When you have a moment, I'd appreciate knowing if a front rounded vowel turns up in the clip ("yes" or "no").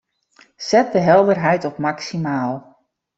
no